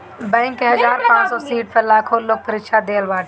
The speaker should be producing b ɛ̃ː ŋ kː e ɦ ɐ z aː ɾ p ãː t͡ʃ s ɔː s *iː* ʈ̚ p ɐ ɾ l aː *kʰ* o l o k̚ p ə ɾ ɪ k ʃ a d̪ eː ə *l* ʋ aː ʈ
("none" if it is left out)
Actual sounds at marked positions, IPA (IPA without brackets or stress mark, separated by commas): iː, kʰ, l